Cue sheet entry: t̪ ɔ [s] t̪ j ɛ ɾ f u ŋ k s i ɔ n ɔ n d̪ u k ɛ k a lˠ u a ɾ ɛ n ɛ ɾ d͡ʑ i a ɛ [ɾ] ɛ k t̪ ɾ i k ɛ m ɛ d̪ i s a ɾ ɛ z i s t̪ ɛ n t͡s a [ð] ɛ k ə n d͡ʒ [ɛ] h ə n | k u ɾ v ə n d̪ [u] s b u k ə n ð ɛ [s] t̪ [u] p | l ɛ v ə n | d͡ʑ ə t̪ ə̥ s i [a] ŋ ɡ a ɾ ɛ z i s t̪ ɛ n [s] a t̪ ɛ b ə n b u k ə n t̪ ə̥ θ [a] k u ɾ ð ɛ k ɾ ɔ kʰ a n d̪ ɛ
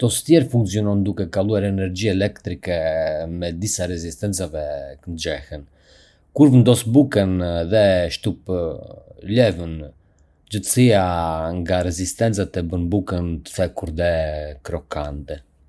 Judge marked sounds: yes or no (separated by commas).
yes, no, no, yes, no, no, yes, yes, no, no